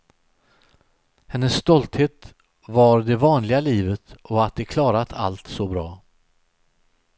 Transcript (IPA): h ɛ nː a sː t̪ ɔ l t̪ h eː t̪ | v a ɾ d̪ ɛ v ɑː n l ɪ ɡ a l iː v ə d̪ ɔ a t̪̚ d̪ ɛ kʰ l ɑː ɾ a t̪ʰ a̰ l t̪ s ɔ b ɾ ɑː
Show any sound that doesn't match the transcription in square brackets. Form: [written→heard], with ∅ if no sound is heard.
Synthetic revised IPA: h ɛ nː [a→ə] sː t̪ ɔ l t̪ h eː t̪ | v a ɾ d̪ ɛ v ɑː n l ɪ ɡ a l iː v ə [d̪→t̪] ɔ a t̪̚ d̪ ɛ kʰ l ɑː ɾ a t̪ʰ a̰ l t̪ s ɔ b ɾ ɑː